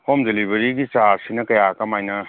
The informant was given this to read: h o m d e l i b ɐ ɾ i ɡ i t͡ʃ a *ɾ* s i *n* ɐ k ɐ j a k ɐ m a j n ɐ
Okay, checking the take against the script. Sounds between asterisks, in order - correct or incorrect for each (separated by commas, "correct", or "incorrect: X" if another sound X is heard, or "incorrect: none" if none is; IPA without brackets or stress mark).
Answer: correct, correct